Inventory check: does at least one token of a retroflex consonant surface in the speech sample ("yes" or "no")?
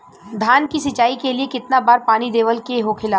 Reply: no